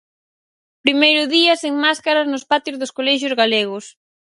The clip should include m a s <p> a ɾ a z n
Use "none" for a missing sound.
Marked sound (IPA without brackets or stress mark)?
k